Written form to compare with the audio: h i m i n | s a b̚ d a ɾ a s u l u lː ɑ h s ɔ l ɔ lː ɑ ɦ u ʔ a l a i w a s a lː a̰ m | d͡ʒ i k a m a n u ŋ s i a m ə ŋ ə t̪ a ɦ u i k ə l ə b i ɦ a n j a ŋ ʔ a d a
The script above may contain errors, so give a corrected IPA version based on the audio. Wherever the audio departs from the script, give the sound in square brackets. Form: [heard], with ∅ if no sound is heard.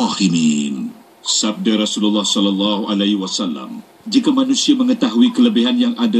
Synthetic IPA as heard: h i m i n | s a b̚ d a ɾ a s u l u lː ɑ h s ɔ l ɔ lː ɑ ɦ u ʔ a l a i w a s a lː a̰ m | d͡ʒ i k a m a n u [∅] s i a m ə ŋ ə t̪ a ɦ u i k ə l ə b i ɦ a n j a ŋ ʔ a d a